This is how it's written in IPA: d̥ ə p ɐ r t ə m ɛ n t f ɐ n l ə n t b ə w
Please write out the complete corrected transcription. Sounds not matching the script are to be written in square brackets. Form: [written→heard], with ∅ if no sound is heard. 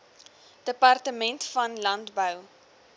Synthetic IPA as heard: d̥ ə p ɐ r t ə m ɛ n t f ɐ n l [ə→ɐ] n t b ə w